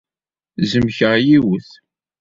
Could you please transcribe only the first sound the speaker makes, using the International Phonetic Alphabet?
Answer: z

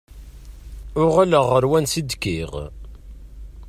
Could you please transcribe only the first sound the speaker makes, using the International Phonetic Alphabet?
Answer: ʊ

